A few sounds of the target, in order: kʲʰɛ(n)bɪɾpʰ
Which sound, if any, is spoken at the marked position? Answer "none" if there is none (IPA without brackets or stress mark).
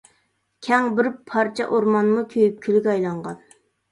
ŋ